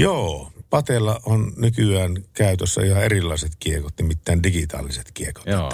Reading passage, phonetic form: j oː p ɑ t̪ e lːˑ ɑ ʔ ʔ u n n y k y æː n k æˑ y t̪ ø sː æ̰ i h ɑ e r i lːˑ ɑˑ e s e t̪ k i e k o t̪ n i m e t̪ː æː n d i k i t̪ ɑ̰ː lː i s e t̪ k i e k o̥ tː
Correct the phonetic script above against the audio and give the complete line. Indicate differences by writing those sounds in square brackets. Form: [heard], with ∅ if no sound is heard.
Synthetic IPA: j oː p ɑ t̪ e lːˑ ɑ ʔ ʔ [o] n n y k y æː n k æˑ y t̪ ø sː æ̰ i h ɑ e r i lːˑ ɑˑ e s e t̪ k i e k o t̪ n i m [i] t̪ː æː n d i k i t̪ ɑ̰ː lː i s e t̪ k i e k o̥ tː